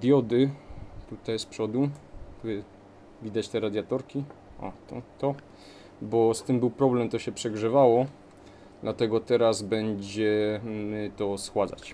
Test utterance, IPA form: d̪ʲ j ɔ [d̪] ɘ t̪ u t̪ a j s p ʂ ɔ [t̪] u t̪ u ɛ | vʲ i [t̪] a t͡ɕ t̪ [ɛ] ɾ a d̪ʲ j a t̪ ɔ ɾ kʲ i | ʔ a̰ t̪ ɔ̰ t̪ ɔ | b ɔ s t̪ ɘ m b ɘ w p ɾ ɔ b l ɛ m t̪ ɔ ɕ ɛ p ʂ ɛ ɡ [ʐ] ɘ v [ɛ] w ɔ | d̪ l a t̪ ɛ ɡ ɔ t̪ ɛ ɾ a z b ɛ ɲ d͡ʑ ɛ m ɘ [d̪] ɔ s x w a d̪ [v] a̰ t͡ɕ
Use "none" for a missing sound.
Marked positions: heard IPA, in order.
d̪, d̪, d̪, ɛ, ʐ, a, t̪, z

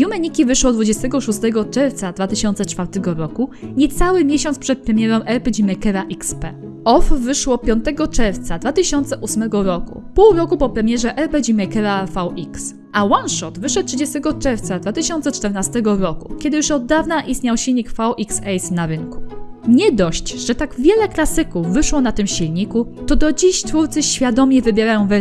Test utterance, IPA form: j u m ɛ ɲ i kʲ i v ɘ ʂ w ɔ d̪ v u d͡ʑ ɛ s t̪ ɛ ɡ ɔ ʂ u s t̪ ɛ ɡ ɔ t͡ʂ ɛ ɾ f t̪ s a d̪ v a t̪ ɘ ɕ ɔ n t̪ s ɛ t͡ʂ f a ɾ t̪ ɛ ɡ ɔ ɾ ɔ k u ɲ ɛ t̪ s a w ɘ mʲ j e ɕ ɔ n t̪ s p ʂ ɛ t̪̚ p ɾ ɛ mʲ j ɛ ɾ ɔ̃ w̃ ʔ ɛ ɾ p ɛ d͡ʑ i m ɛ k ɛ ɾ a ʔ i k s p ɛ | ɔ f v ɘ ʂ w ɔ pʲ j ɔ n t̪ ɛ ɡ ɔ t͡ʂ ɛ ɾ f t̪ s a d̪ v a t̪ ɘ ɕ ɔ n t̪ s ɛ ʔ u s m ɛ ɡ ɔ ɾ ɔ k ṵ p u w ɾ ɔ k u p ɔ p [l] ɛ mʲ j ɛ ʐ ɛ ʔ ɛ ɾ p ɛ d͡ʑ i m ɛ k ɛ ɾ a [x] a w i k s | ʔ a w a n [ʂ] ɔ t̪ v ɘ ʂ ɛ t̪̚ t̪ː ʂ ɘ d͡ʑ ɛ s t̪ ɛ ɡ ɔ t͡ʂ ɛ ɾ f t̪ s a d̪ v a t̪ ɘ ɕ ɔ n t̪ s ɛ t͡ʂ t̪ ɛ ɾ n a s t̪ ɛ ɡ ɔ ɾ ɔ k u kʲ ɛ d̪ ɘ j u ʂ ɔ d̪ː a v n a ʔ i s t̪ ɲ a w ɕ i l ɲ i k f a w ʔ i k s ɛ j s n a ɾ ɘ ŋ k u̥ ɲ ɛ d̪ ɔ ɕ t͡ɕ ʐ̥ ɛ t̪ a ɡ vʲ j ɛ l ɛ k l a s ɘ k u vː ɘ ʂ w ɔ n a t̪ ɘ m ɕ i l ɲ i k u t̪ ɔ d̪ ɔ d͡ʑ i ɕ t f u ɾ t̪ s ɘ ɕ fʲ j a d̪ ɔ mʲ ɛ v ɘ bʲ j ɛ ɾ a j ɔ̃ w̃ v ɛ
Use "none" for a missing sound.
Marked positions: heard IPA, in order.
ɾ, f, ʂ

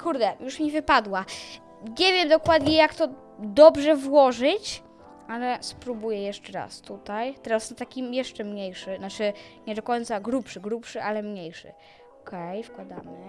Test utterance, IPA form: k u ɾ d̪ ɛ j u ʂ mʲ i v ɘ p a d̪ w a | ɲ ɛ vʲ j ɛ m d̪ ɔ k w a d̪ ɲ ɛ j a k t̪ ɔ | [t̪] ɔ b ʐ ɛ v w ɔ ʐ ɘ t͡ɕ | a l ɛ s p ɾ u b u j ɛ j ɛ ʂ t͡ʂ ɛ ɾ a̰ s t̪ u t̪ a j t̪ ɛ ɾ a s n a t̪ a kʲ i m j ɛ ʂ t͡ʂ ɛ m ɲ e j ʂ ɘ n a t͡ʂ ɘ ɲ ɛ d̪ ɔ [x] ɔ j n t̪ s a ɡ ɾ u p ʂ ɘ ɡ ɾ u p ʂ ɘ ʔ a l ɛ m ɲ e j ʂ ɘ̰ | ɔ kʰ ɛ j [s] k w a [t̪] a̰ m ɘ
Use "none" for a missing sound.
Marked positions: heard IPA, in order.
d̪, k, f, d̪

